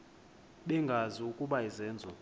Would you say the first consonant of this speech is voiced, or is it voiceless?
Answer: voiced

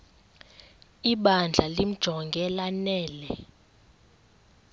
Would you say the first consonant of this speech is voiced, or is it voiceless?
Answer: voiced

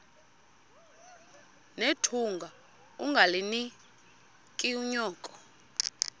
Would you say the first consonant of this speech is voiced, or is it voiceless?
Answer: voiced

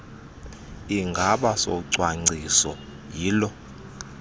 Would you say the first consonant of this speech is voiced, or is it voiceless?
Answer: voiced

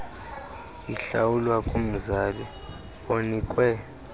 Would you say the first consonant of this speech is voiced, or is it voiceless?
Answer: voiceless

